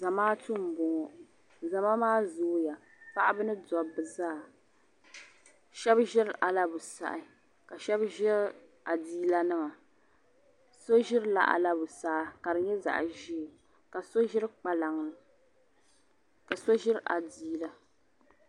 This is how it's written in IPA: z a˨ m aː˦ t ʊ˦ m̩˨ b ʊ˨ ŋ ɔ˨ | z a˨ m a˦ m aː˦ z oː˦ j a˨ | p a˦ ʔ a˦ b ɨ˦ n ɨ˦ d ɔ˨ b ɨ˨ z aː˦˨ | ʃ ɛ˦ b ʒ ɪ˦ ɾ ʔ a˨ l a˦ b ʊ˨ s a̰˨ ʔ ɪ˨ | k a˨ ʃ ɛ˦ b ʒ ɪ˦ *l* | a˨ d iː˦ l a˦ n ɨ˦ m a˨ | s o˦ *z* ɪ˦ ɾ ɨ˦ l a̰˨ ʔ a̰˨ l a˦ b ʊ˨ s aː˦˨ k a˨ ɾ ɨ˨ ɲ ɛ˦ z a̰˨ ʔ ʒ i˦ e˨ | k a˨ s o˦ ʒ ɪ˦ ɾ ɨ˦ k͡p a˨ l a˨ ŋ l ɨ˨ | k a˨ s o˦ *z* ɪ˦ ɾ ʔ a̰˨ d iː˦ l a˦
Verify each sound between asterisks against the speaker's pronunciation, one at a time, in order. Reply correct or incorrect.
incorrect, incorrect, incorrect

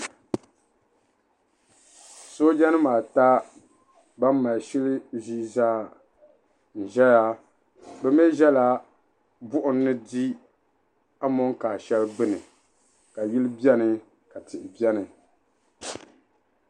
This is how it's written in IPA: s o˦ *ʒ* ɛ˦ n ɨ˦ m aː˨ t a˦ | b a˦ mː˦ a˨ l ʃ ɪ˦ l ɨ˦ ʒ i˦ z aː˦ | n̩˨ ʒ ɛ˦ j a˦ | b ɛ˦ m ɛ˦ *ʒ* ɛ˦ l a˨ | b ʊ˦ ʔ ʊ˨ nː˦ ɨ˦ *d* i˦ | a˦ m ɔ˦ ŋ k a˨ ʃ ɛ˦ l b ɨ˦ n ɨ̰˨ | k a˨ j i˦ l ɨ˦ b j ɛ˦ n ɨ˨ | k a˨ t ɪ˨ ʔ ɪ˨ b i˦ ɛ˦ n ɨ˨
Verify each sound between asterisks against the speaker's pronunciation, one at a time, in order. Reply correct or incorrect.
incorrect, correct, correct

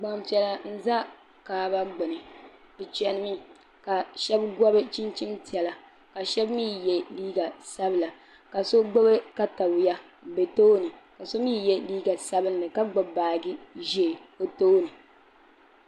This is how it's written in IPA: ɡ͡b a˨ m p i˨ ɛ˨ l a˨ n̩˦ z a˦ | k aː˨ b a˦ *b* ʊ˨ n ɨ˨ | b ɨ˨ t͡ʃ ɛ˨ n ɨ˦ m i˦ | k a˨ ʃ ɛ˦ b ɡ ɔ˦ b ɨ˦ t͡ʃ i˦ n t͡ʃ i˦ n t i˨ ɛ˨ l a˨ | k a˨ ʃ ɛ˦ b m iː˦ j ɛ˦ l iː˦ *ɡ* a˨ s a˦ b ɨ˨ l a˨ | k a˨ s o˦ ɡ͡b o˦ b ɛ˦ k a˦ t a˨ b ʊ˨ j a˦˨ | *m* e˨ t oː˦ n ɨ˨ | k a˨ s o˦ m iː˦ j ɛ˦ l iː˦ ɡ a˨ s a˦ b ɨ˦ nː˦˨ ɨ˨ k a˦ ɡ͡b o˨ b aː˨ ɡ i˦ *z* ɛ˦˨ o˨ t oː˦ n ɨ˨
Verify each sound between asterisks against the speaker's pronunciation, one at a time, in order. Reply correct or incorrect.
incorrect, correct, incorrect, incorrect

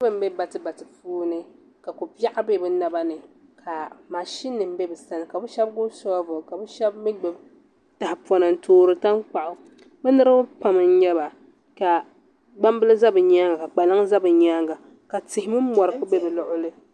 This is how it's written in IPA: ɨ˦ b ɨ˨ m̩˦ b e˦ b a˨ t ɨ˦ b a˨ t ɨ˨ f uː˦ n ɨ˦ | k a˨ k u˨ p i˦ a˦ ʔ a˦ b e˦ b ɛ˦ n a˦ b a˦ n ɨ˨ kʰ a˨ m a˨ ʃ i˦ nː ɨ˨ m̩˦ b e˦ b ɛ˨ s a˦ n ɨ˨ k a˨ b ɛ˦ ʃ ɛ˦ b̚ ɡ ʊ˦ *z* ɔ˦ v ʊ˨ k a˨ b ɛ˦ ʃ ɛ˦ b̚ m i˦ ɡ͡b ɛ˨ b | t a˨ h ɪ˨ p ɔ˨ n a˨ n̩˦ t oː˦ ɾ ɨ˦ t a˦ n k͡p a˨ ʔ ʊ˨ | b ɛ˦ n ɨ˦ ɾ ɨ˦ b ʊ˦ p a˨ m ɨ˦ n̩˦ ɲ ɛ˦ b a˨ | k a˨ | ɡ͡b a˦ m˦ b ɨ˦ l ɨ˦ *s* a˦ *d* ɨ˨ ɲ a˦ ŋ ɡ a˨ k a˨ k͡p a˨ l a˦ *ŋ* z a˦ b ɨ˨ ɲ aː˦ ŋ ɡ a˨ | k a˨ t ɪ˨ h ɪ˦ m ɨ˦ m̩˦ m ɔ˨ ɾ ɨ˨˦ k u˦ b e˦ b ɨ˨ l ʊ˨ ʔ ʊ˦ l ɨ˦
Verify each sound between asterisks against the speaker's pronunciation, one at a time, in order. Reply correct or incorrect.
incorrect, incorrect, incorrect, correct

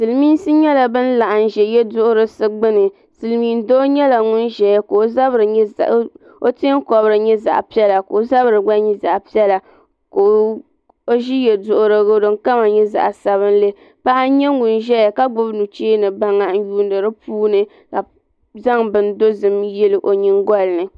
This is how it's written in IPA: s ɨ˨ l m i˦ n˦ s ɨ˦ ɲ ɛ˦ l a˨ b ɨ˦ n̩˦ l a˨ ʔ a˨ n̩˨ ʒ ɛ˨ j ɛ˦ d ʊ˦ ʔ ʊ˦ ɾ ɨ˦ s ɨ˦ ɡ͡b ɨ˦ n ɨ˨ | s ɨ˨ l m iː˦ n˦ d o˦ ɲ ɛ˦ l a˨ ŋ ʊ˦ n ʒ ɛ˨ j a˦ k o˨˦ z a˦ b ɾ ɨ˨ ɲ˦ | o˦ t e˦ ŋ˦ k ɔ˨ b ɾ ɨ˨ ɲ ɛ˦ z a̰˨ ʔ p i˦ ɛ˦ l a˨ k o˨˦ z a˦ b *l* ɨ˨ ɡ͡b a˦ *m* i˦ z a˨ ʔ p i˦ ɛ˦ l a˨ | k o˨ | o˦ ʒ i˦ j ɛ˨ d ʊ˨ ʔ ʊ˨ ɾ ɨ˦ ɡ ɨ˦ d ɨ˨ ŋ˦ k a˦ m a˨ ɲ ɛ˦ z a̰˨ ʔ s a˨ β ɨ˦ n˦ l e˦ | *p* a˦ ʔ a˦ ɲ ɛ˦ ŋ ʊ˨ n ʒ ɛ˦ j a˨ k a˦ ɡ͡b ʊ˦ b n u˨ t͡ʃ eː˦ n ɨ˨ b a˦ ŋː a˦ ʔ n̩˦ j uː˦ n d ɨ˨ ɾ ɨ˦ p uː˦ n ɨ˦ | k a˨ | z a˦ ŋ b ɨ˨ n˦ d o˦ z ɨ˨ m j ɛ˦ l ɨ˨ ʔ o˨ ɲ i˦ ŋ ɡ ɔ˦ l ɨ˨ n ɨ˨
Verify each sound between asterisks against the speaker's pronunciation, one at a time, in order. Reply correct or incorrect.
incorrect, incorrect, correct

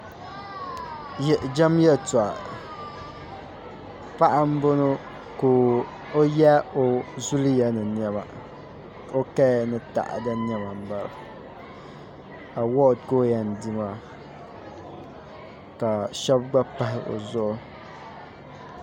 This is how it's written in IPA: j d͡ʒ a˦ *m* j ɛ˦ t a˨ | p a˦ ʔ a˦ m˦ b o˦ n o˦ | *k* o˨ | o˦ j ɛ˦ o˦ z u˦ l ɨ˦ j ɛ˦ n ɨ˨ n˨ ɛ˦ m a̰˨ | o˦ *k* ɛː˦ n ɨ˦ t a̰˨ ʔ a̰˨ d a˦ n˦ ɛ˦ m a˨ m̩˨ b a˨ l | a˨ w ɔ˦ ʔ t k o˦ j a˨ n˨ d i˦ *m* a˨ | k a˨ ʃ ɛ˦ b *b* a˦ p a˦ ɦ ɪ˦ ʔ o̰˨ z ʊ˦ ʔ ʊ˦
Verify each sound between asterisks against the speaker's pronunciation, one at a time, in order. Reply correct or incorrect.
correct, correct, correct, correct, incorrect

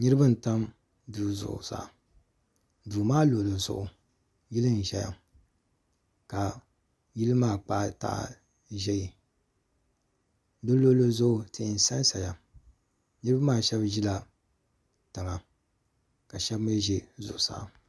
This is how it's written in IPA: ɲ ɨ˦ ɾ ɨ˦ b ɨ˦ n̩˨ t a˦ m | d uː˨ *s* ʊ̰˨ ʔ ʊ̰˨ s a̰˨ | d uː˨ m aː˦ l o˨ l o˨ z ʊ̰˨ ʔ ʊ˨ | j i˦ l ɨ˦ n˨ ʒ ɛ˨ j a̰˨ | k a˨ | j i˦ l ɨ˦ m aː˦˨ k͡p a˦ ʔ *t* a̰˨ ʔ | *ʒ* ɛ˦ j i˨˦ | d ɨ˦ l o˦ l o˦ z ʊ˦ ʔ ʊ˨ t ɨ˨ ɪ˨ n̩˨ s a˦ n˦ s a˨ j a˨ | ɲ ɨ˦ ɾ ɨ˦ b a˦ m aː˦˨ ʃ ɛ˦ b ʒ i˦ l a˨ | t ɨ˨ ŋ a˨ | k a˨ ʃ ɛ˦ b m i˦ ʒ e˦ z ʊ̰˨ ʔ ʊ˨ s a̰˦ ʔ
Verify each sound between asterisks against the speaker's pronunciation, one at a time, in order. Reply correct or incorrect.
incorrect, correct, correct

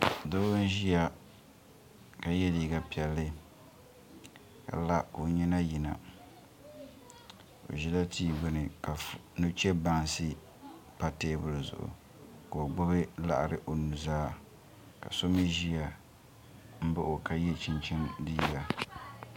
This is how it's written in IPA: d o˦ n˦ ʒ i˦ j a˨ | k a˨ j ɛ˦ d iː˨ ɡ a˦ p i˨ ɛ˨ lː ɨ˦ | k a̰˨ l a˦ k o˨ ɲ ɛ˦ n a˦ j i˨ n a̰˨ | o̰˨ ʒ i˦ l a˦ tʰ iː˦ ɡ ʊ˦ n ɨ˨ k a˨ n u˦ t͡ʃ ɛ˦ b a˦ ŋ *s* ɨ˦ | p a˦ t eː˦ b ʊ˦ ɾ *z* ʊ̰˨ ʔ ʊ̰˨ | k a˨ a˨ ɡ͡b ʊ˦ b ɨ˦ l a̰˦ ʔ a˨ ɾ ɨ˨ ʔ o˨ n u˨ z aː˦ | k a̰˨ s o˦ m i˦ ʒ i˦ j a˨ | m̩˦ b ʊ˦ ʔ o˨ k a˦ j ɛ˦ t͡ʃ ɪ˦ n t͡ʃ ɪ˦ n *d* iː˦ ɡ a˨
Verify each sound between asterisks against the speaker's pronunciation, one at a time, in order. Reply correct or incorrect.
correct, correct, correct

